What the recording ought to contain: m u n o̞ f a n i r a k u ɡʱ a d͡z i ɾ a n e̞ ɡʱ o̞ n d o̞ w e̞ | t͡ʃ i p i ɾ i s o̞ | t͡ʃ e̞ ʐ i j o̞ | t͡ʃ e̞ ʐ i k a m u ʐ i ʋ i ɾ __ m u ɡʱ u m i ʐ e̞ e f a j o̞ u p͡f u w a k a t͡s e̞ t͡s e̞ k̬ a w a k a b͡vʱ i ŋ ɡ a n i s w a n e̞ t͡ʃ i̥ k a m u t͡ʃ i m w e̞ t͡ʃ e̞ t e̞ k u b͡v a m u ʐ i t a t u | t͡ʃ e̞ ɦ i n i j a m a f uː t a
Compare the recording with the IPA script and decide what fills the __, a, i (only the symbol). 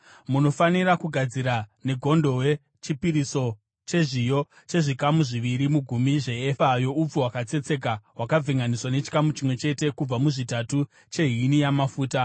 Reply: i